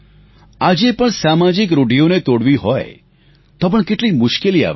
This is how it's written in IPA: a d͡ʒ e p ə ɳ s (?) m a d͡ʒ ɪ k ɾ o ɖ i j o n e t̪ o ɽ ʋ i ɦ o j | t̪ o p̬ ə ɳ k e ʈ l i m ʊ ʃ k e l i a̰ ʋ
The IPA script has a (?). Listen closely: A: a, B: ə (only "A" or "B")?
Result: A